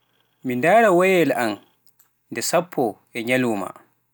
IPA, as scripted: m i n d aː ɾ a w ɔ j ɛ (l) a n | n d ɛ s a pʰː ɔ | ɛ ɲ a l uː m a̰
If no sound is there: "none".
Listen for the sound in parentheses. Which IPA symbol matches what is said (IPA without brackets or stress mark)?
l